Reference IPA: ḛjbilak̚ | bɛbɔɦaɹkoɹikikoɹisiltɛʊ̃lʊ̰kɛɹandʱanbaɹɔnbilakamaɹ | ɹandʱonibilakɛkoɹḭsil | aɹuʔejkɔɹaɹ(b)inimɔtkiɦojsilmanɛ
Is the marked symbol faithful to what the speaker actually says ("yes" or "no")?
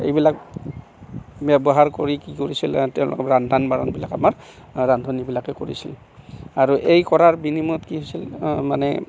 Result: yes